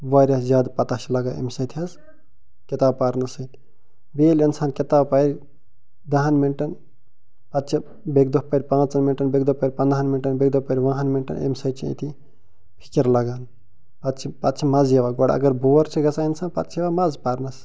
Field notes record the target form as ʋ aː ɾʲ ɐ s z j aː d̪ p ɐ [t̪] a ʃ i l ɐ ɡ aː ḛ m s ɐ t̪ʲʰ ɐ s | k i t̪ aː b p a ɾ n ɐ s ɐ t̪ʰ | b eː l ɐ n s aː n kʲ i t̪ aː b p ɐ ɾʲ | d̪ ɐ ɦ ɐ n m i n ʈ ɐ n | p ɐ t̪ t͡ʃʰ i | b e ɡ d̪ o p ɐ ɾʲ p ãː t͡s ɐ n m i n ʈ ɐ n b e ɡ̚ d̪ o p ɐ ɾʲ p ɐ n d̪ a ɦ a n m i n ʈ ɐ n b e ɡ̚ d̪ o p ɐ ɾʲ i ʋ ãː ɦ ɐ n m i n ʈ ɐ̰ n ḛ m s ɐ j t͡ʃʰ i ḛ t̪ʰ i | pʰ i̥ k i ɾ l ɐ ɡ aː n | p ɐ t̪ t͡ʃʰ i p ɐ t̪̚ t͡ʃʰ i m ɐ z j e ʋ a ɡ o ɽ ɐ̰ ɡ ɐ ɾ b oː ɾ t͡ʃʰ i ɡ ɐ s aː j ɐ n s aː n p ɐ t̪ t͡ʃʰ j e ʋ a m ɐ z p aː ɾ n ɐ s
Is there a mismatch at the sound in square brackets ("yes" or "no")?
no